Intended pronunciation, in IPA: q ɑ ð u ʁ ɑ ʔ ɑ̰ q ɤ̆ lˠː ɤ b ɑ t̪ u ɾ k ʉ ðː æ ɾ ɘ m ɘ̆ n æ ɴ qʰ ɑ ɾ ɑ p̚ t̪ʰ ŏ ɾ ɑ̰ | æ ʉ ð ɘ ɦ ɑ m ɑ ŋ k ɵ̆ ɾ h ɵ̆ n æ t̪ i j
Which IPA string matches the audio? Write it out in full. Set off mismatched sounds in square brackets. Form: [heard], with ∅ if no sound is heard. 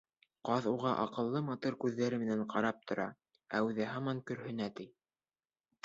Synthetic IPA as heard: q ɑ ð u ʁ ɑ ʔ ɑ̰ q ɤ̆ lˠː ɤ [m] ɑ t̪ u ɾ k ʉ ðː æ ɾ ɘ m ɘ̆ n æ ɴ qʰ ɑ ɾ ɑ p̚ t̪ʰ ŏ ɾ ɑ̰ | æ ʉ ð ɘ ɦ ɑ m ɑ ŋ k ɵ̆ ɾ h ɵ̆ n æ t̪ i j